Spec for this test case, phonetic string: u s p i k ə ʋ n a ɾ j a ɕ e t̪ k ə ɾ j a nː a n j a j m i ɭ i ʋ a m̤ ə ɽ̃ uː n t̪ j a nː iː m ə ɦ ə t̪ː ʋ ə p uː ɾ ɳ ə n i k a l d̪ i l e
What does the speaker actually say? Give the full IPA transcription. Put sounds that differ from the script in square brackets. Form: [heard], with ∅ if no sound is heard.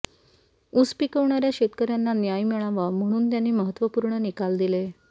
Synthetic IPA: u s p i k ə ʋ [ɳ] a ɾ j a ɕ e t̪ k ə ɾ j a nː a n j a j m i ɭ [a] ʋ a m̤ ə ɽ̃ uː n t̪ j a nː iː m ə ɦ ə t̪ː ʋ ə p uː ɾ ɳ ə n i k a l d̪ i l e